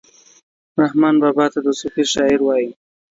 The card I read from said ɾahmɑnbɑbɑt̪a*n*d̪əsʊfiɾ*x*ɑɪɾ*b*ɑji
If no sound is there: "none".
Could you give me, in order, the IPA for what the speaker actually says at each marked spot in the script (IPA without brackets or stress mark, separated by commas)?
none, ʃ, w